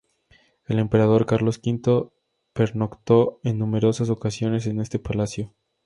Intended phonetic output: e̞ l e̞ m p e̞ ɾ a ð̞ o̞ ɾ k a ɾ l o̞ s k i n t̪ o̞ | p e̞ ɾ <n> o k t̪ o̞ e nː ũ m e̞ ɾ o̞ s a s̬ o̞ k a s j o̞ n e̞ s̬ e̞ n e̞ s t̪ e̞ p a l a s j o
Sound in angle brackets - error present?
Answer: no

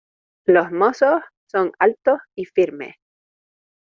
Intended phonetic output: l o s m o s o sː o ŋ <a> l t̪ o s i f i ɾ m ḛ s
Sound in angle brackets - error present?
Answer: no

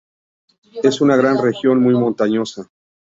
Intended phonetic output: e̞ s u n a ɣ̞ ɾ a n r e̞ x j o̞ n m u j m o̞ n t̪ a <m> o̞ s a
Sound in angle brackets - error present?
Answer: yes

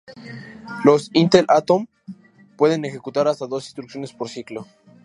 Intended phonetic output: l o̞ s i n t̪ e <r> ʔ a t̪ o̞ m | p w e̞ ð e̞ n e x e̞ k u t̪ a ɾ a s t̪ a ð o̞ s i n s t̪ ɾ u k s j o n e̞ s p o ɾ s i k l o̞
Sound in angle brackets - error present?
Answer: yes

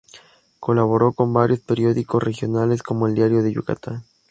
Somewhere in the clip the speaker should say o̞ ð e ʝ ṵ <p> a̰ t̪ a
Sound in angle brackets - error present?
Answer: yes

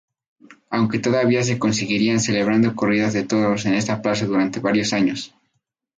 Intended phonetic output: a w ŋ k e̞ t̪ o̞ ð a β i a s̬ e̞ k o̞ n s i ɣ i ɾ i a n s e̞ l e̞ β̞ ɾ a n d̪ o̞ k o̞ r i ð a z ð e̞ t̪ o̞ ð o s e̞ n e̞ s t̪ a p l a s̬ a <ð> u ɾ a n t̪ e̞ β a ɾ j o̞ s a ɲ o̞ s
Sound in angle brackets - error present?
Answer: no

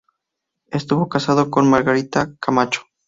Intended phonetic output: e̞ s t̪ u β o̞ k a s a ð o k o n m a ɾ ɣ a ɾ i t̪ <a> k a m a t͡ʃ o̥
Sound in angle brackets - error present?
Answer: no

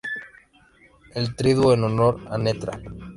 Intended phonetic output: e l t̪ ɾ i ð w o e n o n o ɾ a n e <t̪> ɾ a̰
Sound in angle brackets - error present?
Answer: no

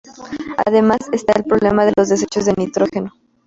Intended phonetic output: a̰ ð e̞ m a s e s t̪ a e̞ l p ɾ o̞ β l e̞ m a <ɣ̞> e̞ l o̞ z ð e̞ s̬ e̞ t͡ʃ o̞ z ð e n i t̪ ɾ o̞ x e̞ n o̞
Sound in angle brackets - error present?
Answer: yes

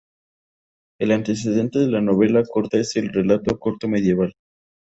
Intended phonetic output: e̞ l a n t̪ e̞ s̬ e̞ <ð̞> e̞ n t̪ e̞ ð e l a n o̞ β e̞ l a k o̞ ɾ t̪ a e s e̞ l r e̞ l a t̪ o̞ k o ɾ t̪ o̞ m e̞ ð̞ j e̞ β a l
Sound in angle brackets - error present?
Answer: no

